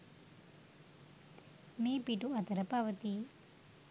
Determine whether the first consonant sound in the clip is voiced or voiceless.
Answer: voiced